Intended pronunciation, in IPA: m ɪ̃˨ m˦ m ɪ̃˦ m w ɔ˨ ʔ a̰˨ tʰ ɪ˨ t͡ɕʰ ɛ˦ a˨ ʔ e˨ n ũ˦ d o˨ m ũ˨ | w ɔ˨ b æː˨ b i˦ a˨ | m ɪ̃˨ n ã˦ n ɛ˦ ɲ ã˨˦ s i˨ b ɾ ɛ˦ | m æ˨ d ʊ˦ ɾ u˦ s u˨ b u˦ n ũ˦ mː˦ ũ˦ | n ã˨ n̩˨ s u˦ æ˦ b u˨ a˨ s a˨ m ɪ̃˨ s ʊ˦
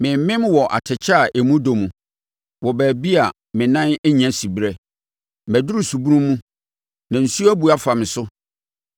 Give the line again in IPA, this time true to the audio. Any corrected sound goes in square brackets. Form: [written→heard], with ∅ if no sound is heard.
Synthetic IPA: m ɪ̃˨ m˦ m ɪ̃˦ m w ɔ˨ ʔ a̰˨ tʰ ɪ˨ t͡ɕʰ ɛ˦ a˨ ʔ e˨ [n→m] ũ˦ d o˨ m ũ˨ | w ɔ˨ b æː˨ b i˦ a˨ | m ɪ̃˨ n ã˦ n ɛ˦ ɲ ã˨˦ s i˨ b ɾ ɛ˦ | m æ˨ d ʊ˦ ɾ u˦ s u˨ b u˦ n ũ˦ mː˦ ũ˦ | n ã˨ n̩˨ s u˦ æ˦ b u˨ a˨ [s→f] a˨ m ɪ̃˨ s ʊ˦